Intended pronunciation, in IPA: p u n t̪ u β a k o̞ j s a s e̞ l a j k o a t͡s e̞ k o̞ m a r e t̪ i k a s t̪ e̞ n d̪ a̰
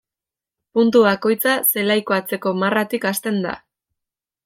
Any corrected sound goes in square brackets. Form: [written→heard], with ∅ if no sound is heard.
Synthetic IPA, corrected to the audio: p u n t̪ u β a k o̞ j [s→t͡s] a s e̞ l a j k o a t͡s e̞ k o̞ m a r [e→a] t̪ i k a s t̪ e̞ n d̪ a̰